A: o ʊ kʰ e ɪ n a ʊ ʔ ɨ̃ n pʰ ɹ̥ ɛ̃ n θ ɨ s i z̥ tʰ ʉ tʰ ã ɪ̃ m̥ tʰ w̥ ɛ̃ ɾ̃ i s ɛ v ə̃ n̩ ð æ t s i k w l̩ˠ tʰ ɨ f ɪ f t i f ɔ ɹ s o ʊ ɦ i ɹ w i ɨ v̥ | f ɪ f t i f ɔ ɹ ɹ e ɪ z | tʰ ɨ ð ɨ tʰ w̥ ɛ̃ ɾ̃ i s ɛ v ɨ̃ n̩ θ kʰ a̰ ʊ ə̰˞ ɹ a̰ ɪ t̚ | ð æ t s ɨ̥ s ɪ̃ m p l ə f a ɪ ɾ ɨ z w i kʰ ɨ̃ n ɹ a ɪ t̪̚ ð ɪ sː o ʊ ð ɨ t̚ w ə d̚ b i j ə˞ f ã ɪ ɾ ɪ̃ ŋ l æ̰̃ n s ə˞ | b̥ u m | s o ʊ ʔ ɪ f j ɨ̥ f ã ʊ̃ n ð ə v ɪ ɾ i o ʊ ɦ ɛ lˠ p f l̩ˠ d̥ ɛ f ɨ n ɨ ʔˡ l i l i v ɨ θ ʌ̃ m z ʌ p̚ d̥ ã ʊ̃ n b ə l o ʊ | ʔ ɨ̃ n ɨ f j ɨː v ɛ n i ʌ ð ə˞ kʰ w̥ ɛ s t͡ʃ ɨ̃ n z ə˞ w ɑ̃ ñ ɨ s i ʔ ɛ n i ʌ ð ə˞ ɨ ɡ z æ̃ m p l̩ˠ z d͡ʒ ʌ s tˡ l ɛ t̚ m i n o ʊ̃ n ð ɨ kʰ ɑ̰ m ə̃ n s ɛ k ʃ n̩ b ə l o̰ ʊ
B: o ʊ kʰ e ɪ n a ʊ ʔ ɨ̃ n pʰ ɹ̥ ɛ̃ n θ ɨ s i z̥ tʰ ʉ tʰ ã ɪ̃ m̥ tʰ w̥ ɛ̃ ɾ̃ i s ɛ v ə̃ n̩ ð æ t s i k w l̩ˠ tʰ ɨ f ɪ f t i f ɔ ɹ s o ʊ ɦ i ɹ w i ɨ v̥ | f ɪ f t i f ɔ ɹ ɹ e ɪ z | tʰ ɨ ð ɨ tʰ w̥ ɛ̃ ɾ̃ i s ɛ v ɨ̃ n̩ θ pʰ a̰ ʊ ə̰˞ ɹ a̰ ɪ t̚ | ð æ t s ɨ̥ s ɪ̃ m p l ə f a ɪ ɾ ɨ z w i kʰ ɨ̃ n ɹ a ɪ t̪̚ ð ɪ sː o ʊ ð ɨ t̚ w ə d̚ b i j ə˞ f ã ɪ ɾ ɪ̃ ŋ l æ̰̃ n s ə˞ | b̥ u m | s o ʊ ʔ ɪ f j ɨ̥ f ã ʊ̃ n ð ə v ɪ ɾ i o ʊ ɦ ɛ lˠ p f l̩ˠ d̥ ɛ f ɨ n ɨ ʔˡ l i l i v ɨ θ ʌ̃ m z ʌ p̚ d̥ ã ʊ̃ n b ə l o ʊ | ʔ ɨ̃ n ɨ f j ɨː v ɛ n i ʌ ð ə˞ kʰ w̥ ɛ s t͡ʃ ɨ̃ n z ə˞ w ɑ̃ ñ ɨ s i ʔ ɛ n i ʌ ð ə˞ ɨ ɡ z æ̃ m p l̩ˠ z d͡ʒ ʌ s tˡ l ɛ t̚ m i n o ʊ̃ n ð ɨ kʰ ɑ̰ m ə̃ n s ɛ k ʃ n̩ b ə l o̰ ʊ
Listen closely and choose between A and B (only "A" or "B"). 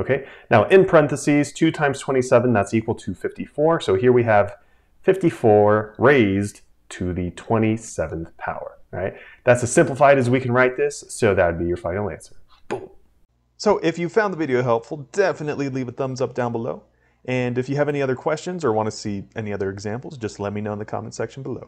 B